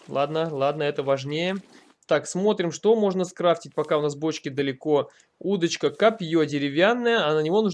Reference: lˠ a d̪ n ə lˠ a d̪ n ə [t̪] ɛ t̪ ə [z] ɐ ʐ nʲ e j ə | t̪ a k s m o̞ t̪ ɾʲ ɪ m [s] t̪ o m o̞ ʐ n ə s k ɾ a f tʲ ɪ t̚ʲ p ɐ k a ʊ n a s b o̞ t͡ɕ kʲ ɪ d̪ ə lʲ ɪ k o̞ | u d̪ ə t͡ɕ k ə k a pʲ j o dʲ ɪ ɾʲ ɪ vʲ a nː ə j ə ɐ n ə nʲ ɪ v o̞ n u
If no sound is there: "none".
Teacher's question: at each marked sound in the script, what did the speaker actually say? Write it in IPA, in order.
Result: none, v, ʂ

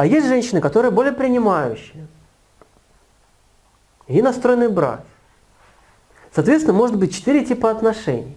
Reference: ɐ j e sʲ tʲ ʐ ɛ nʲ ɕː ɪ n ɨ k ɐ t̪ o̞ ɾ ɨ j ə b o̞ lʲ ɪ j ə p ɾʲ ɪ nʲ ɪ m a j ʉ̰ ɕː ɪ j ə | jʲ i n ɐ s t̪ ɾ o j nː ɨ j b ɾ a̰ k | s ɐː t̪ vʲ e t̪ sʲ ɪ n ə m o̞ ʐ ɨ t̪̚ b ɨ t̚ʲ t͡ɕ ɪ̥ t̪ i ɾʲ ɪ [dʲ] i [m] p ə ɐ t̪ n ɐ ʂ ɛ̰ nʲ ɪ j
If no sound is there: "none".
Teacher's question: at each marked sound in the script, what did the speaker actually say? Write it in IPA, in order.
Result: tʲ, none

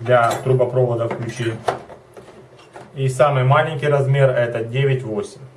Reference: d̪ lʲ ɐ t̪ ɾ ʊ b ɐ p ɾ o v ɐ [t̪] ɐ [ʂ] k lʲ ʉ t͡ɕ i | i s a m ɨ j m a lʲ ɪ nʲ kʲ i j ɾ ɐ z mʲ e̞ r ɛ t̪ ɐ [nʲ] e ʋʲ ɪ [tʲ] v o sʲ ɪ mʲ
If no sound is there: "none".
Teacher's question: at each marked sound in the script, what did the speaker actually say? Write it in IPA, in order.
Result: d̪, f, dʲ, tʲ

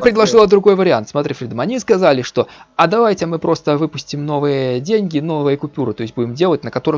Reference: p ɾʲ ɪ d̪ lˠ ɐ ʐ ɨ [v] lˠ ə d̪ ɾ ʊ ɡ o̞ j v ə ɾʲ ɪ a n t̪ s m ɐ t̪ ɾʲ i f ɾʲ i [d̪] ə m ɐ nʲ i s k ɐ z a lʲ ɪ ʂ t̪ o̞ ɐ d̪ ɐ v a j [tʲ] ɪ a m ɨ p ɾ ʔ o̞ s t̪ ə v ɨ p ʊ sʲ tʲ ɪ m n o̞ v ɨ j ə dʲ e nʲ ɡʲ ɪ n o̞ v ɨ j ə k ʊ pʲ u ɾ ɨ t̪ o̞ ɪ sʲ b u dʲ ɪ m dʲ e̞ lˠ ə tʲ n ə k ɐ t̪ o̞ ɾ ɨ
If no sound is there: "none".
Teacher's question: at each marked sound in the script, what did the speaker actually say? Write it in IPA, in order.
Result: none, d̪, tʲ

